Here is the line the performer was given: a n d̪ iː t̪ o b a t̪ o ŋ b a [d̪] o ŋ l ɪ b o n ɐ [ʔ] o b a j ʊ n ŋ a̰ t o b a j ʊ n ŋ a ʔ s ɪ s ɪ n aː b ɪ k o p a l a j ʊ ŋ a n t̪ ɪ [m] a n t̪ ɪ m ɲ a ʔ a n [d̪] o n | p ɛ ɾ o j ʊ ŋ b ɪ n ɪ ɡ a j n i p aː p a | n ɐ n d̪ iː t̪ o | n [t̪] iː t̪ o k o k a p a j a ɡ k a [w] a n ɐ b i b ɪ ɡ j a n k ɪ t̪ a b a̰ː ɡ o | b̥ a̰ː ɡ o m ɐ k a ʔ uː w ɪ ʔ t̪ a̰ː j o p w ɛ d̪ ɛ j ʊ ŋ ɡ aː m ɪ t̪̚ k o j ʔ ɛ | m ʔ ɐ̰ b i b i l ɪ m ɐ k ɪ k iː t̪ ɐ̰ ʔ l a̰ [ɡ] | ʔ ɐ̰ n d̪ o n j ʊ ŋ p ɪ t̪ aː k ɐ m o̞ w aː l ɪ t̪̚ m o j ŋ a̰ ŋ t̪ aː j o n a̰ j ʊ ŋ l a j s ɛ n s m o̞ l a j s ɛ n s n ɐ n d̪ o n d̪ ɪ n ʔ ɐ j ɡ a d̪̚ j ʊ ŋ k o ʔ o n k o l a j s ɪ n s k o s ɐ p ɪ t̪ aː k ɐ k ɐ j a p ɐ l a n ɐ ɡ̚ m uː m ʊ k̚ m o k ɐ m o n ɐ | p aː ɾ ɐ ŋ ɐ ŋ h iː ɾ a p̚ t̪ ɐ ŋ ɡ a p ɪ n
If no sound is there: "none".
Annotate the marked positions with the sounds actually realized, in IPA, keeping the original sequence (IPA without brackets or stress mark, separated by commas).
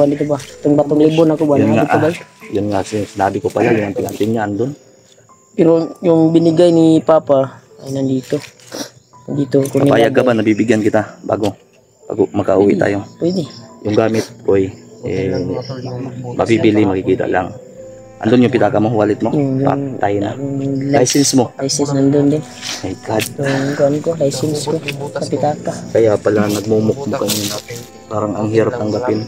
t̪, k, ŋ, d̪, d̪, b, ŋ